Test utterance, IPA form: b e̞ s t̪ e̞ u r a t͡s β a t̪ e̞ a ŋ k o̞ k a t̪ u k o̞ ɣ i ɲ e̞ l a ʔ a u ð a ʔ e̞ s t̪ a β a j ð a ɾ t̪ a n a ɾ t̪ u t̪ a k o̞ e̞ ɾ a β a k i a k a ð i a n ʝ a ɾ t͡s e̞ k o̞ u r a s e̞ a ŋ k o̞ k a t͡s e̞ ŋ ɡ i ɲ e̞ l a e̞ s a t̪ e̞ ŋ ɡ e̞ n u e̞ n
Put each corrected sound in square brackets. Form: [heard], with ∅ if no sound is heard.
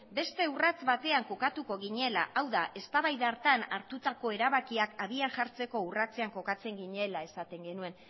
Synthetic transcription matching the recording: b e̞ s t̪ e̞ u r a t͡s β a t̪ e̞ a ŋ k o̞ k a t̪ u k o̞ ɣ i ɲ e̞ l a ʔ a [w] ð a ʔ e̞ s t̪ a β a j ð a ɾ t̪ a n a ɾ t̪ u t̪ a k o̞ e̞ ɾ a β a k i a k a ð i a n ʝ a ɾ t͡s e̞ k o̞ u r a [t͡s] e̞ a ŋ k o̞ k a t͡s e̞ ŋ ɡ i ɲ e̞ l a e̞ s a t̪ e̞ ŋ ɡ e̞ n u e̞ n